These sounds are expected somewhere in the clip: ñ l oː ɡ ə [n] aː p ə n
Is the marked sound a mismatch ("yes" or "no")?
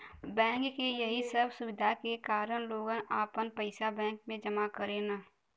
no